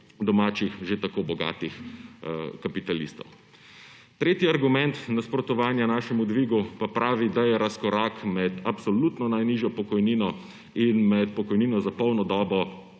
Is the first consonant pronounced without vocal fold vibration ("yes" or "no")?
no